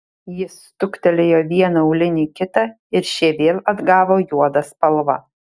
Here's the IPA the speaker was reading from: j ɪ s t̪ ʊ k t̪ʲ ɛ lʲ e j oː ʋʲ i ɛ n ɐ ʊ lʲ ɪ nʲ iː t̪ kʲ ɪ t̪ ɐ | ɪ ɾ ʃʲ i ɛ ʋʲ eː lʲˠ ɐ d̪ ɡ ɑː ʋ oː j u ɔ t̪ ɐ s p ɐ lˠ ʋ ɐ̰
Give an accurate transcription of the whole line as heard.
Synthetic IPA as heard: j ɪ s t̪ ʊ k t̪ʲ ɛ lʲ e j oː ʋʲ i ɛ n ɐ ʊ lʲ ɪ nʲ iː kʲ ɪ t̪ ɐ | ɪ ɾ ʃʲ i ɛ ʋʲ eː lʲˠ ɐ d̪ ɡ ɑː ʋ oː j u ɔ d̪ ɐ s p ɐ lˠ ʋ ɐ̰